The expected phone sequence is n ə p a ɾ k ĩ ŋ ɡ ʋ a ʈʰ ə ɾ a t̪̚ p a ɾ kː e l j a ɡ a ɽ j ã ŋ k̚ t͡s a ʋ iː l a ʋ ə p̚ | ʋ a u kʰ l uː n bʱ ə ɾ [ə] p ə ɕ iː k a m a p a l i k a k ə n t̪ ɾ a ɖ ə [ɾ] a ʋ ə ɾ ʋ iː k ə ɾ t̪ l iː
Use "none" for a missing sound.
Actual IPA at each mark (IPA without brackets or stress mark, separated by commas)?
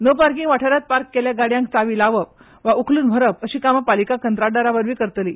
ə, ɾ